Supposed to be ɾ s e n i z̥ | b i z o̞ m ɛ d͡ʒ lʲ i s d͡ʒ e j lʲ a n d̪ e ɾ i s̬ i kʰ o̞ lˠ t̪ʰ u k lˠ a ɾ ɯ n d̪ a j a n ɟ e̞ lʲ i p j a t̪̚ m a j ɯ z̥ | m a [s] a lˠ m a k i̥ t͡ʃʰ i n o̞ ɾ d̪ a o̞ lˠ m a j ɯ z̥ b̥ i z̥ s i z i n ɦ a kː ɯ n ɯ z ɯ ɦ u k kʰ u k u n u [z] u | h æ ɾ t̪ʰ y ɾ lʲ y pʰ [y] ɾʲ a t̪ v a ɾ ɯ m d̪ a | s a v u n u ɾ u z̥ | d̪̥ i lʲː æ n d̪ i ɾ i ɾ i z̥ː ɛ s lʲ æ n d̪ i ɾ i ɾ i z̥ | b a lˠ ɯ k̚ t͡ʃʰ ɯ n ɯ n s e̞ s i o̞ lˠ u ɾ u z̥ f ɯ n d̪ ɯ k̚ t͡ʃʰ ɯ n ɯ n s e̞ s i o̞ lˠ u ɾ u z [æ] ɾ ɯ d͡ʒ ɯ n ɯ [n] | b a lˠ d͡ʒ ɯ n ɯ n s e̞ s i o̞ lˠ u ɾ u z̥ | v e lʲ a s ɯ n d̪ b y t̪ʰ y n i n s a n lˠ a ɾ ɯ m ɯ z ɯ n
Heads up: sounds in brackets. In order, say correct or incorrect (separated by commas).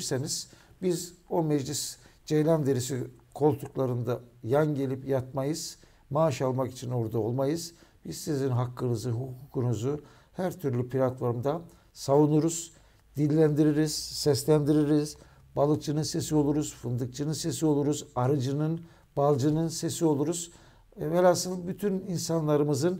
incorrect, correct, incorrect, incorrect, correct